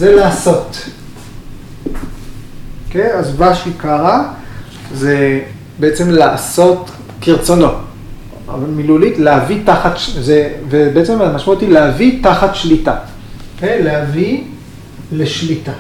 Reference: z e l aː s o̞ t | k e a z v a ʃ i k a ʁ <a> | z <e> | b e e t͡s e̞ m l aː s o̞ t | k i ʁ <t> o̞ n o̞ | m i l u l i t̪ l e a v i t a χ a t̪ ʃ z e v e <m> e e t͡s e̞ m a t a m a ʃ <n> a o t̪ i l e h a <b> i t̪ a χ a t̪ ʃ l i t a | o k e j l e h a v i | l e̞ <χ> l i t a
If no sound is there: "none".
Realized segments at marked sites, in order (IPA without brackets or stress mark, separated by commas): a, e, t͡s, b, m, v, ʃ